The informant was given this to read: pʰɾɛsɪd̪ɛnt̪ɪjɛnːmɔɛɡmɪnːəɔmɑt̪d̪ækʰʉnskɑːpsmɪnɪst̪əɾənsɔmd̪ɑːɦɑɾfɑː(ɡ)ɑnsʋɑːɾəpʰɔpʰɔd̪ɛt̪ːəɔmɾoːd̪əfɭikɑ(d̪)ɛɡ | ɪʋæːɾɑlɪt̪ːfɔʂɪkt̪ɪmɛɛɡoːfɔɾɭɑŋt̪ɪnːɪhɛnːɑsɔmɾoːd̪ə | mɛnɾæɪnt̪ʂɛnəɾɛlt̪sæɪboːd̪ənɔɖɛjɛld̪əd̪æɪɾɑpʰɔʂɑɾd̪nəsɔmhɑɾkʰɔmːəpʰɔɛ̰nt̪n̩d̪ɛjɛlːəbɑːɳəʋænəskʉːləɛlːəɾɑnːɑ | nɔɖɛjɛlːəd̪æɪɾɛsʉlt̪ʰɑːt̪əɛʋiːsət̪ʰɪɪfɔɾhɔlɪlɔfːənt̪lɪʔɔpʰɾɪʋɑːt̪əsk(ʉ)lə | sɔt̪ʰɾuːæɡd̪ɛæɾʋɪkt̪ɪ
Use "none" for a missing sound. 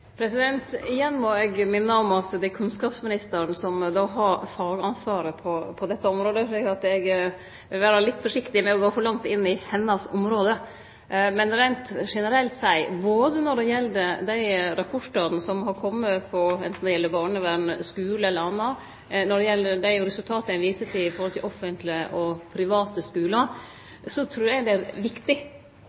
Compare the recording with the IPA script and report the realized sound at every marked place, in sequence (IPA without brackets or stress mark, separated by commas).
ɡ, t̪, ʉː